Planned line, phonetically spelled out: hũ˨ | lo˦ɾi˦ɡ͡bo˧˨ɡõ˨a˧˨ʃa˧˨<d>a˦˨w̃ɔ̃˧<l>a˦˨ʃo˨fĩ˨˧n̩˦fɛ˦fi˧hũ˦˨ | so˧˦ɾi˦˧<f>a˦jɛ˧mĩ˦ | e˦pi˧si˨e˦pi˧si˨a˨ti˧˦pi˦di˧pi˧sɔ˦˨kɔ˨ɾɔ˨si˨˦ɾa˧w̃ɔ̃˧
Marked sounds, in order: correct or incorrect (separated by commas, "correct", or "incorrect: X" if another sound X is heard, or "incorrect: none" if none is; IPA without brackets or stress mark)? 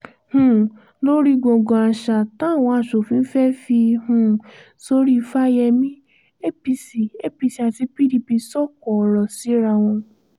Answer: incorrect: t, incorrect: none, correct